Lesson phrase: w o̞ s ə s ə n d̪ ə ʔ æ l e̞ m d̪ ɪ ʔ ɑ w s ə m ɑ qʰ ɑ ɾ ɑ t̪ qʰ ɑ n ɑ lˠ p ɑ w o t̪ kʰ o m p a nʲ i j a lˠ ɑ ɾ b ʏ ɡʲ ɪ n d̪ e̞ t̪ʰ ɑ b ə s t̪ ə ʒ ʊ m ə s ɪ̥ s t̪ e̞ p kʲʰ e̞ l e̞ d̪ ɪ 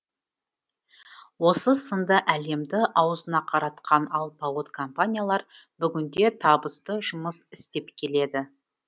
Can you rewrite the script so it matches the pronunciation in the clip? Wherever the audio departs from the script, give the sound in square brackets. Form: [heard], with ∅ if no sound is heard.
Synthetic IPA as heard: w o̞ s ə s ə n d̪ ə ʔ æ l e̞ m d̪ ɪ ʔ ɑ w [z] ə [n] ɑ qʰ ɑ ɾ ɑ t̪ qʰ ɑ n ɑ lˠ p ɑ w o t̪ kʰ o m p a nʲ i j a lˠ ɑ ɾ b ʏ ɡʲ ɪ n d̪ e̞ t̪ʰ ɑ b ə s t̪ ə ʒ ʊ m ə s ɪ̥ s t̪ e̞ p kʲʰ e̞ l e̞ d̪ ɪ

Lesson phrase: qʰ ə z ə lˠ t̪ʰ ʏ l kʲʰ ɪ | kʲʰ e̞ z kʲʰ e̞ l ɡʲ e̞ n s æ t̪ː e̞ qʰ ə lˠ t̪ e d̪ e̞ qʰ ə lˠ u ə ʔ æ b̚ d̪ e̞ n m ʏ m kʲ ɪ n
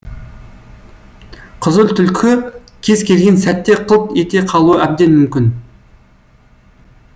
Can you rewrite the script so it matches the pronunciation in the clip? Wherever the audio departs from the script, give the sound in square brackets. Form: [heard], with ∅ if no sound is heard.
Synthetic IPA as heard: qʰ ə z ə lˠ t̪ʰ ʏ l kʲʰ ɪ | kʲʰ e̞ z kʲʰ e̞ l ɡʲ e̞ n s æ t̪ː e̞ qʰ ə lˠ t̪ e [t̪] e̞ qʰ [ɑ] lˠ u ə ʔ æ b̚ d̪ e̞ n m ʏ m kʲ ɪ n

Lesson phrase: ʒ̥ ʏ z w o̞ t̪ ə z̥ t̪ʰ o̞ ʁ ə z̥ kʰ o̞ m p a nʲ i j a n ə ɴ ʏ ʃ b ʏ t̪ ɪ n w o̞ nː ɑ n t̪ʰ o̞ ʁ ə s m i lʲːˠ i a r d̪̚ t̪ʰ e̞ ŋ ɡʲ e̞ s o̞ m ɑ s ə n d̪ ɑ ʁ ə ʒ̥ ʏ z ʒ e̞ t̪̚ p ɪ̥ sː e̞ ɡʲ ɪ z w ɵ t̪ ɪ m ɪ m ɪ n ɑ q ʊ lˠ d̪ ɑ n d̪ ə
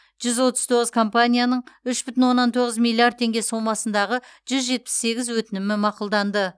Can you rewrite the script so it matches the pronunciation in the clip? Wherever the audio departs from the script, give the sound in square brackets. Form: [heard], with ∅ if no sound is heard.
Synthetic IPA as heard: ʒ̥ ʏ z w o̞ t̪ ə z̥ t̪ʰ o̞ ʁ ə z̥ kʰ o̞ m p a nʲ i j a n ə ɴ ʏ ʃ b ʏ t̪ ɪ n w o̞ nː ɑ n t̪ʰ o̞ ʁ ə [z] m i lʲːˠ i a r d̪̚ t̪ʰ e̞ ŋ ɡʲ e̞ s o̞ m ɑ s ə n d̪ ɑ ʁ ə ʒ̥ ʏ z ʒ e̞ t̪̚ p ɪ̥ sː e̞ ɡʲ ɪ z w ɵ t̪ ɪ [n] ɪ m ɪ [m] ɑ q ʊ lˠ d̪ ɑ n d̪ ə

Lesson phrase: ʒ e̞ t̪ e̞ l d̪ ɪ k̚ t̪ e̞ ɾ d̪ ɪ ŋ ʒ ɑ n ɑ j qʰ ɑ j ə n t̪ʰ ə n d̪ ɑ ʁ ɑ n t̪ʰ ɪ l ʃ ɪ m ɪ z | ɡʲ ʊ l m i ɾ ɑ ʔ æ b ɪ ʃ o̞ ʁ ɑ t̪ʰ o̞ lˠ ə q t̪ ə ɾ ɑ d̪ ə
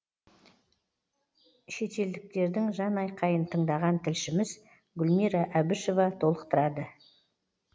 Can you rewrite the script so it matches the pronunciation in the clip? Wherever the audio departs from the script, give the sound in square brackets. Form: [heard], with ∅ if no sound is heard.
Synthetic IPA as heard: [ʃ] e̞ t̪ e̞ l d̪ ɪ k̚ t̪ e̞ ɾ d̪ ɪ ŋ ʒ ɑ n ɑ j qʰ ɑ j ə n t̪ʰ ə [ɴ] d̪ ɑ ʁ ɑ n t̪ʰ ɪ l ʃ ɪ m ɪ z | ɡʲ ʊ l m i ɾ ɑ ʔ æ b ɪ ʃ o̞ [v] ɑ t̪ʰ o̞ lˠ ə q t̪ ə ɾ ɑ d̪ ə

